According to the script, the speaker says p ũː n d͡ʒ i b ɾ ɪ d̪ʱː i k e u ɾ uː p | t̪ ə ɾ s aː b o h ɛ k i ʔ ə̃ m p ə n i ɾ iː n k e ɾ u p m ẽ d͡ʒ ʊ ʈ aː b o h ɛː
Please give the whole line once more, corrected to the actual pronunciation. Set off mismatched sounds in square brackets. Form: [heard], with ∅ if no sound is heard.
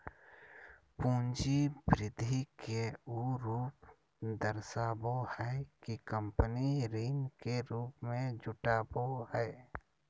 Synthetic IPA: p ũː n d͡ʒ i b ɾ ɪ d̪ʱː i k e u ɾ uː p | [d̪] ə ɾ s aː b o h ɛ k i [k] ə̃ m p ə n i ɾ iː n k e ɾ [uː] p m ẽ d͡ʒ ʊ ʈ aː b o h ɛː